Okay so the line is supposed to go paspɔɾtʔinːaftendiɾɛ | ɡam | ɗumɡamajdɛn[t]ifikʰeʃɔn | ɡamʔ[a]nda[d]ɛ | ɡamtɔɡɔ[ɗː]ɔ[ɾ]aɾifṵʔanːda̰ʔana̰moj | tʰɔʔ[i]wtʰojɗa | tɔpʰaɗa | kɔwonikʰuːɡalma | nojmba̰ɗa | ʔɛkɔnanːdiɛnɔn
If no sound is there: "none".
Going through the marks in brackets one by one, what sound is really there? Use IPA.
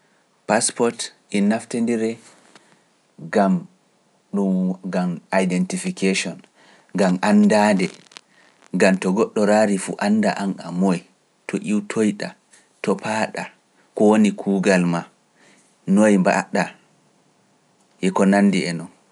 t, a, d, ɗː, ɾ, i

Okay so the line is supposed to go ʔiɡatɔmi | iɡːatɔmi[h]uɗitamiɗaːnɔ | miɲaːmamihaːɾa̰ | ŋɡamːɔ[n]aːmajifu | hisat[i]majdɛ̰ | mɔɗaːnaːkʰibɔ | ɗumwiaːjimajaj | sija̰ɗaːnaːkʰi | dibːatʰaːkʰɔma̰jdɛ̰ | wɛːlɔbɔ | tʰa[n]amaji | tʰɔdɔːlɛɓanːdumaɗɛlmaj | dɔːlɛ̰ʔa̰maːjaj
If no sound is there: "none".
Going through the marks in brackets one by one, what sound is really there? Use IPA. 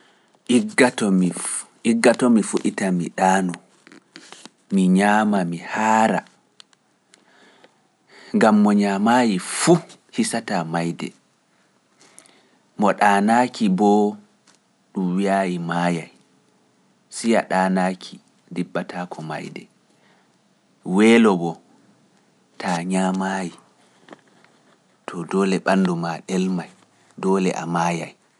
f, ɲ, a, ɲ

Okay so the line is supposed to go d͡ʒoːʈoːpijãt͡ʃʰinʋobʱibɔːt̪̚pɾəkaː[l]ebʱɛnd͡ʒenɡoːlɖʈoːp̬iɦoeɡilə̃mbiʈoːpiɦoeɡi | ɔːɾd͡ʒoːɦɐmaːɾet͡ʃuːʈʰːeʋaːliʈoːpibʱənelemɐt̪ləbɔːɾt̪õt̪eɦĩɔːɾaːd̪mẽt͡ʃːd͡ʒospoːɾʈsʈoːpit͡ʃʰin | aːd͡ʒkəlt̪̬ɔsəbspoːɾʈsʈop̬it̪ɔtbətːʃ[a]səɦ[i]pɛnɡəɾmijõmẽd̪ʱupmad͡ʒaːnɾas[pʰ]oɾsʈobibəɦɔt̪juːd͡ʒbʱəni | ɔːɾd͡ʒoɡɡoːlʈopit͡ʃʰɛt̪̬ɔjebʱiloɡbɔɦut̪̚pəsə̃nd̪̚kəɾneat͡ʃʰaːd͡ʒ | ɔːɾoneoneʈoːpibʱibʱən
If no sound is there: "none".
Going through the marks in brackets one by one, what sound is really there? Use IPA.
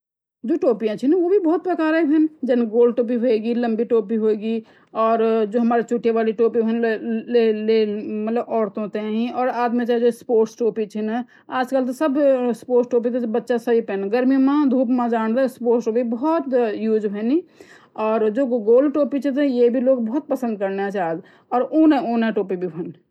ɾ, a, i, p

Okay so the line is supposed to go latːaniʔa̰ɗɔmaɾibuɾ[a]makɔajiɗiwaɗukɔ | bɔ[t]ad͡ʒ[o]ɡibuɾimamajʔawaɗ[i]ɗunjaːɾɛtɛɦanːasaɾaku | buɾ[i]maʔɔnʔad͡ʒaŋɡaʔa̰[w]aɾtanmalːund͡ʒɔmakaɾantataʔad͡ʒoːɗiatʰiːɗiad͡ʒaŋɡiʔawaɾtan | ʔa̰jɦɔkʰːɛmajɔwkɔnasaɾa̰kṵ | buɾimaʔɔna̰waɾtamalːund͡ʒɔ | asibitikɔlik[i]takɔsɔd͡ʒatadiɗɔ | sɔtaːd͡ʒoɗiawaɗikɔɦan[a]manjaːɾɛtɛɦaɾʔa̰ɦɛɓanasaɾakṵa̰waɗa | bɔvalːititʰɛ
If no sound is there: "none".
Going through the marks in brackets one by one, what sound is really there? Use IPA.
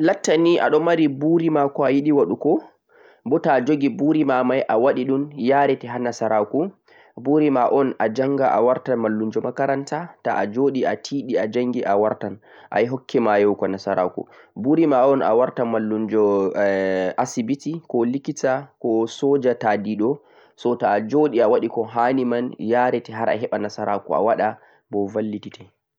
i, t, o, i, i, w, i, i

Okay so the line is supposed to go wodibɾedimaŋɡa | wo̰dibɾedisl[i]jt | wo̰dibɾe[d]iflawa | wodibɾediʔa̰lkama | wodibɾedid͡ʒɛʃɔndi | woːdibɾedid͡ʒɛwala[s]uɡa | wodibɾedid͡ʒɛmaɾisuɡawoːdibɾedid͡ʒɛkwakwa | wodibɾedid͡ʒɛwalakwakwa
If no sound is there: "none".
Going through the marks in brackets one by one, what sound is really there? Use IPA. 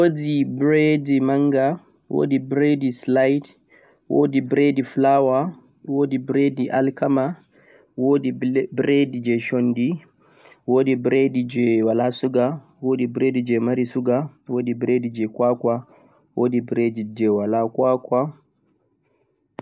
a, d, s

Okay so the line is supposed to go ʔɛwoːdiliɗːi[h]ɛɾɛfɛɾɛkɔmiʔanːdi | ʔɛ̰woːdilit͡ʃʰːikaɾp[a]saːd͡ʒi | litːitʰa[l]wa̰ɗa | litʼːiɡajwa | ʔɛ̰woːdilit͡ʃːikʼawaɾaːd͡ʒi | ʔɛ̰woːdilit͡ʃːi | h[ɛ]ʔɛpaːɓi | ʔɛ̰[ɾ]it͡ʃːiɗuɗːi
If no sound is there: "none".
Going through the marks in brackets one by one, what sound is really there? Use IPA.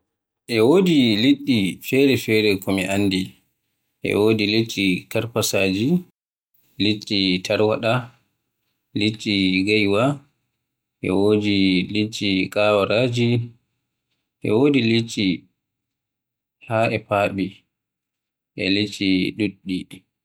f, a, ɾ, a, l

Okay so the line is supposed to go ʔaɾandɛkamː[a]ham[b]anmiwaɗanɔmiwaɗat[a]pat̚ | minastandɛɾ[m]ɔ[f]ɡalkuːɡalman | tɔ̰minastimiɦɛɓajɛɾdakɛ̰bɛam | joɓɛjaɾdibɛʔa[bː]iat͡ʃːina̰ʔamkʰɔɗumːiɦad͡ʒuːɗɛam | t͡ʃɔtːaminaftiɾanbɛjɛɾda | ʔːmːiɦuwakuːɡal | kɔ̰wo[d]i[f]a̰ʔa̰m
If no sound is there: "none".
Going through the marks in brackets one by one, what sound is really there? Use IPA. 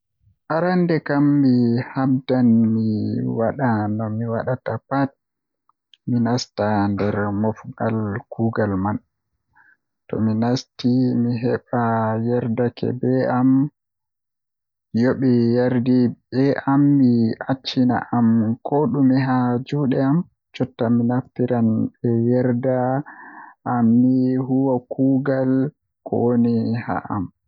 i, d, a, m, f, mː, n, h

